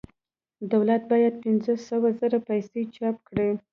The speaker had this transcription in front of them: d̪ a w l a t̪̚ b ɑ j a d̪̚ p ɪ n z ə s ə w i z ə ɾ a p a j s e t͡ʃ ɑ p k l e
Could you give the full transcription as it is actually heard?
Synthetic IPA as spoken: d̪ a w l a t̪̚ b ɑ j a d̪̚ p ɪ n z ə s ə w a z ə ɾ a p a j s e t͡ʃ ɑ p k ɽ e

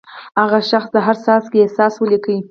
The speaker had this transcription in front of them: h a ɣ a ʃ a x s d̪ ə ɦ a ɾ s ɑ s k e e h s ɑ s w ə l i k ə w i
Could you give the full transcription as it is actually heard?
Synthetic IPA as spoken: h a ɣ a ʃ a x s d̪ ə ɦ a ɾ s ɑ s k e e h s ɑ s w ə l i k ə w i

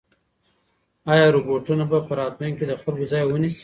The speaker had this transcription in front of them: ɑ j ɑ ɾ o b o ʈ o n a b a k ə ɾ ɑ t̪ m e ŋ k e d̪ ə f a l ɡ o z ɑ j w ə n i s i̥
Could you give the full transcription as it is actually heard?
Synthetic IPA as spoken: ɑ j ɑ ɾ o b o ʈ u n a b a p ə ɾ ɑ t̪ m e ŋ k e d̪ ə x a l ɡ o z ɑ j w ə n i s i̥

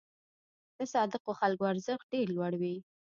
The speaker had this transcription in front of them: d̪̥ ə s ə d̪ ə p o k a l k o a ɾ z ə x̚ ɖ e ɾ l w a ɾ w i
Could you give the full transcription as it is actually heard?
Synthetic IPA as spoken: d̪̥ ə s ɑ d̪ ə q o x a l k o a ɾ z ə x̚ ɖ e ɾ l w a ɽ w i

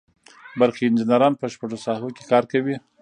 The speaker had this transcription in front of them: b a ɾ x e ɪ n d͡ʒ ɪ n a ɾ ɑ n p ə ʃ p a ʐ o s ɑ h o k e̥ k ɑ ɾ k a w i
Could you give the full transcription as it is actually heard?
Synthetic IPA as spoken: b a ɾ x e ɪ n d͡ʒ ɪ n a ɾ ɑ n p ə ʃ p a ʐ o s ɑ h o k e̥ k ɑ ɾ k a w i

